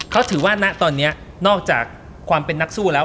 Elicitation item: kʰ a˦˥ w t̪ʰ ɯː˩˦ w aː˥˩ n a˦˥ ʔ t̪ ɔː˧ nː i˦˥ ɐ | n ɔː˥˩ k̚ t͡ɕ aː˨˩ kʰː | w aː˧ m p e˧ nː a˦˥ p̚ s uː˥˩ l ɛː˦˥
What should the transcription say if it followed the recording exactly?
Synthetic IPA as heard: kʰ a˦˥ w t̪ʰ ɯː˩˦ w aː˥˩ n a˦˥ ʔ t̪ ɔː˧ nː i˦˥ ɐ | n ɔː˥˩ k̚ t͡ɕ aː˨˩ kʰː | w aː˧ m p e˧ nː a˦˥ k̚ s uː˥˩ l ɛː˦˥

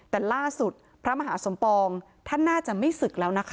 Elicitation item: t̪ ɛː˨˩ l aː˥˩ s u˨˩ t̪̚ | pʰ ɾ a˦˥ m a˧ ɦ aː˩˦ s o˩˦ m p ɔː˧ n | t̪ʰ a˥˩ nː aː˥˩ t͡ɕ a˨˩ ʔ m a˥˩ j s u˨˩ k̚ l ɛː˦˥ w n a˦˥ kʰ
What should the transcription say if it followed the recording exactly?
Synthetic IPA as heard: t̪ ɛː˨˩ l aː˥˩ s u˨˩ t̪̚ | pʰ ɾ a˦˥ m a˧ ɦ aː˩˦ s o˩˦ m p ɔː˧ ŋ | t̪ʰ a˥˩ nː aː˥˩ t͡ɕ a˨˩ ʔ m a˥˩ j s ɯ˨˩ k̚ l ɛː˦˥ w n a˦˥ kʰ

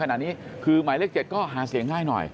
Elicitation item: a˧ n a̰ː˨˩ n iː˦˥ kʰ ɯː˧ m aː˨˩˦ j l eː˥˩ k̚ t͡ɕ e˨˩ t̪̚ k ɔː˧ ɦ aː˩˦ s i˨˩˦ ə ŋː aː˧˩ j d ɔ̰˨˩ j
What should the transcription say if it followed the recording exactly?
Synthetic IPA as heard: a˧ n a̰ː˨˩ n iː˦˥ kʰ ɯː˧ m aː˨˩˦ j l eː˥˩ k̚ t͡ɕ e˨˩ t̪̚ k ɔː˥˩ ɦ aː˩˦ s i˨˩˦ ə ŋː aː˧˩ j n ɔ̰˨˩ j

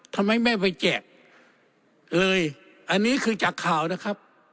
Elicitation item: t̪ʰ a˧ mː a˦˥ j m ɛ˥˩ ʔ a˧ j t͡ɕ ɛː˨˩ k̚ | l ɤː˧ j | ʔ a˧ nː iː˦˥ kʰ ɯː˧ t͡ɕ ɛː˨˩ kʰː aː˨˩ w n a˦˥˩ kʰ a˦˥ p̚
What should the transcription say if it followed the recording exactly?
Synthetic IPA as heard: t̪ʰ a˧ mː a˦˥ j m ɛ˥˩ p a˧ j t͡ɕ ɛː˨˩ k̚ | l ɤː˧ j | ʔ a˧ nː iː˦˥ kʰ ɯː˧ t͡ɕ aː˨˩ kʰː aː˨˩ w n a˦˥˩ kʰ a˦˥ p̚

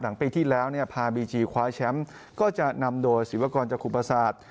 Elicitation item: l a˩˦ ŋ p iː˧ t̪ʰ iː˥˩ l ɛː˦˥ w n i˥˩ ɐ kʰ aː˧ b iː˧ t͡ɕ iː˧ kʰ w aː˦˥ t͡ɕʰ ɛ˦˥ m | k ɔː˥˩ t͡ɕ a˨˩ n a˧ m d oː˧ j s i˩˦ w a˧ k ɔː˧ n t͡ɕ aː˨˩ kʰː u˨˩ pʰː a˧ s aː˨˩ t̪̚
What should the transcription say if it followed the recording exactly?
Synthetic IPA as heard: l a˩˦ ŋ p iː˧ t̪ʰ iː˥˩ l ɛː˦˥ w n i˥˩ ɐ pʰ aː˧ b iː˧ t͡ɕ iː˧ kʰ w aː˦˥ t͡ɕʰ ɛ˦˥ m | k ɔː˥˩ t͡ɕ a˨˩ n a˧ m d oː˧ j s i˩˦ w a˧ k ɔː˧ n t͡ɕ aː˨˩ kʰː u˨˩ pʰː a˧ s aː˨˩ t̪̚

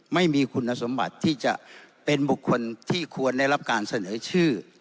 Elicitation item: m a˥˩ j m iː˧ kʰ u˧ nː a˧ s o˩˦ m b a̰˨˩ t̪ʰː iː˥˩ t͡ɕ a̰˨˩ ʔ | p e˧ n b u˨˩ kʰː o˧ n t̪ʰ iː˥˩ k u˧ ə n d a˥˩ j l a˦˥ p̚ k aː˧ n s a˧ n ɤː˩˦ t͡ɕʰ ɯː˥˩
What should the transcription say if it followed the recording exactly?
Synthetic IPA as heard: m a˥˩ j m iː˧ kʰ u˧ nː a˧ s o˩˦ m b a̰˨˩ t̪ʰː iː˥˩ t͡ɕ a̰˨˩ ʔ | p e˧ n b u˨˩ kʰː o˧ n t̪ʰ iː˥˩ kʰ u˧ ə n d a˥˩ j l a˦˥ p̚ k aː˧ n s a˧ n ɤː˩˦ t͡ɕʰ ɯː˥˩

